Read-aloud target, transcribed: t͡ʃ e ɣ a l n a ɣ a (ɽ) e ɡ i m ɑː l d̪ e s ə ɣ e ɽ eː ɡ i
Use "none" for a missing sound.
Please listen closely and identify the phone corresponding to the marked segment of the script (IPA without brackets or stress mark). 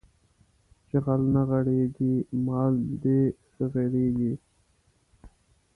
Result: ɽ